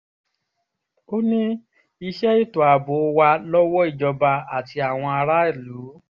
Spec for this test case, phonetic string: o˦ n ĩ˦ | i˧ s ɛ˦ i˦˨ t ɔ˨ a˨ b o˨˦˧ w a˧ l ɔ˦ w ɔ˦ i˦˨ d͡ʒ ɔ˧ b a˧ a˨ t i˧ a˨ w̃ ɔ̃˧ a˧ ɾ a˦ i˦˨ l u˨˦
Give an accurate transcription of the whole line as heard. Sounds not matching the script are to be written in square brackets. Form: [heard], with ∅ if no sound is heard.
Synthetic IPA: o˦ n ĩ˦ | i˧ [ʃ] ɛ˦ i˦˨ t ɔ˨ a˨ b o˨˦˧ w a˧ l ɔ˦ w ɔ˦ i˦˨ d͡ʒ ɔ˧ b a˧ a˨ t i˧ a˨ w̃ ɔ̃˧ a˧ ɾ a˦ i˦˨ l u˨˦